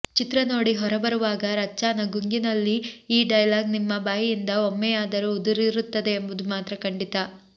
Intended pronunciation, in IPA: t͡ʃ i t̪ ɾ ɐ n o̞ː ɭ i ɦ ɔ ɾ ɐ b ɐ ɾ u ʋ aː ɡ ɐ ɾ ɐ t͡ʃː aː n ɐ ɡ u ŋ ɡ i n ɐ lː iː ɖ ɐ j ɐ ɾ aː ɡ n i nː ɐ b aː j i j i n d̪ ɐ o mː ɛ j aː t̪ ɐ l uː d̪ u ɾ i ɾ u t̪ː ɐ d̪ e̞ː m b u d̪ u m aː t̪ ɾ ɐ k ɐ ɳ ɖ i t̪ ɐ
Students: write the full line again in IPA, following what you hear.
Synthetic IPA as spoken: t͡ʃ i t̪ ɾ ɐ n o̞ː ɽ i ɦ ɔ ɾ ɐ b ɐ ɾ u ʋ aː ɡ ɐ ɾ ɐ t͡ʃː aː n ɐ ɡ u ŋ ɡ i n ɐ lː iː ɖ ɐ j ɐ l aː ɡ n i mː ɐ b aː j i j i n d̪ ɐ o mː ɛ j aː d̪ ɐ ɾ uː d̪ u ɾ i ɾ u t̪ː ɐ d̪ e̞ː m b u d̪ u m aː t̪ ɾ ɐ k ɐ ɳ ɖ i t̪ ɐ